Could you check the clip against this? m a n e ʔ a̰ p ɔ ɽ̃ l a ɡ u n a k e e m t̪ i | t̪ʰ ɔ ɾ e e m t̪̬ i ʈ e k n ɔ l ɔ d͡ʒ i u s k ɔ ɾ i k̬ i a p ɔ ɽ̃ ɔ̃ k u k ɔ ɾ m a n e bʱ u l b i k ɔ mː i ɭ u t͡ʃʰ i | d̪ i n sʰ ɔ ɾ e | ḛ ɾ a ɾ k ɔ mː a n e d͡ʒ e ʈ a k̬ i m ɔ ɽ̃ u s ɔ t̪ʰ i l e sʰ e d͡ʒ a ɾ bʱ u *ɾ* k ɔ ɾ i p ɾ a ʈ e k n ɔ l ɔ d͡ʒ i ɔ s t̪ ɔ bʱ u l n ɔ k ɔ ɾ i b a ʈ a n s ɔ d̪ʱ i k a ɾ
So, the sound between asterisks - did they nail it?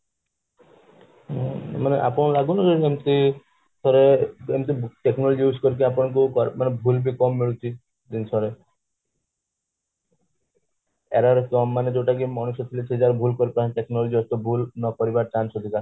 no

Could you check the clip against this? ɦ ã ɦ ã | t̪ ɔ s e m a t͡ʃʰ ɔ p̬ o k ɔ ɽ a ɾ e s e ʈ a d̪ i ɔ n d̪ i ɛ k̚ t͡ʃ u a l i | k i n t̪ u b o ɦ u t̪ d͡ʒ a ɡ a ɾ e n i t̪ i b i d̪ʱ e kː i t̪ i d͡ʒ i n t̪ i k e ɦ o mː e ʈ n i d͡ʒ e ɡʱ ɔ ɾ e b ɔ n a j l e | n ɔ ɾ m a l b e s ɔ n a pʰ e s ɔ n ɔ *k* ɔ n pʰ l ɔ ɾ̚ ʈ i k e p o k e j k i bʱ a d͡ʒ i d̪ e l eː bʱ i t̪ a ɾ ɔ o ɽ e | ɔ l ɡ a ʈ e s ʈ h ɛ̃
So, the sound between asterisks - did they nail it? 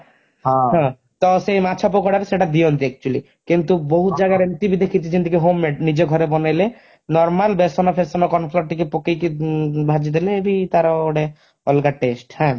yes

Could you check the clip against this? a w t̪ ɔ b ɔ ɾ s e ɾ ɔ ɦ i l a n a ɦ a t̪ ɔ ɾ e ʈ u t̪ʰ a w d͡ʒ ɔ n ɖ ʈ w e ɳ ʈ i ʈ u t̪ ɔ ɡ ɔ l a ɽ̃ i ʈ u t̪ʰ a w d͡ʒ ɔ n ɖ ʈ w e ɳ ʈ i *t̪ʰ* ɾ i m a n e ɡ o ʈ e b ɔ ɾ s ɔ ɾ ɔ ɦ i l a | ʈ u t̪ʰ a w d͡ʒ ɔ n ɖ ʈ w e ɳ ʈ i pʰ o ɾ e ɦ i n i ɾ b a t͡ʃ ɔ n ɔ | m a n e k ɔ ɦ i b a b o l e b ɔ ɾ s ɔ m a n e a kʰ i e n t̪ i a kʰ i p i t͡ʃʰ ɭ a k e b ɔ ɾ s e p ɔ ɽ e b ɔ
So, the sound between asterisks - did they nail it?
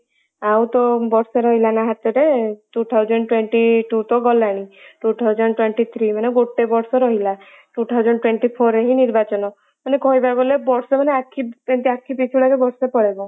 yes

